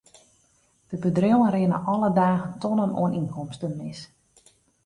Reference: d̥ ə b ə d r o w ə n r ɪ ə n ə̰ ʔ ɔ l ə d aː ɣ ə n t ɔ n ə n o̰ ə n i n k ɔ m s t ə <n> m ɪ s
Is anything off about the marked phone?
no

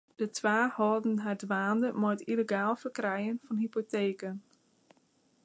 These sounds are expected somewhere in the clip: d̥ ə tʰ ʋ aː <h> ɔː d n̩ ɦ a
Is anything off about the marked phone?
no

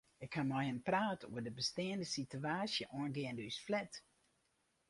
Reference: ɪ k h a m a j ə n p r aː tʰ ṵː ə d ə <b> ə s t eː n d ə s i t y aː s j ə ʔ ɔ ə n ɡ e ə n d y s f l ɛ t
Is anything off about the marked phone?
no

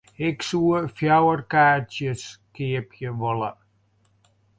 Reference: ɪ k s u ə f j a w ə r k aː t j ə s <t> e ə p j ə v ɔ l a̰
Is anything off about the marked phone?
yes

